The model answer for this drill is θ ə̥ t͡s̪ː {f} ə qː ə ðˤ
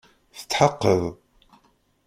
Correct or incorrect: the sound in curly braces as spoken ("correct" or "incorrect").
incorrect